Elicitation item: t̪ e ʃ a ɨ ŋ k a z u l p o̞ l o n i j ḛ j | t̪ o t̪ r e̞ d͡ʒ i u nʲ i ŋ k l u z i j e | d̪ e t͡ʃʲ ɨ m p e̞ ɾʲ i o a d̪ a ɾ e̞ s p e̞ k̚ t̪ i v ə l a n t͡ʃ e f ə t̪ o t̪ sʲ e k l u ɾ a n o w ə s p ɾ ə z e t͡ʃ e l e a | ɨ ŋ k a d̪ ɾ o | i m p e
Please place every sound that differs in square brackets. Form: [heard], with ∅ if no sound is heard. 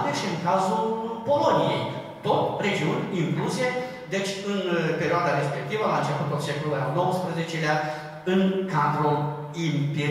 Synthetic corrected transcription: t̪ e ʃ [i] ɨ ŋ k a z u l p o̞ l o n i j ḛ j | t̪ o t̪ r e̞ d͡ʒ i u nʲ i ŋ k l u z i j e | d̪ e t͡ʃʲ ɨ [n] p e̞ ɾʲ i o a d̪ a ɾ e̞ s p e̞ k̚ t̪ i v ə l a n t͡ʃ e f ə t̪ o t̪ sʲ e k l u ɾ a n o w ə s p ɾ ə z e t͡ʃ e l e a | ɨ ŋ k a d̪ ɾ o | i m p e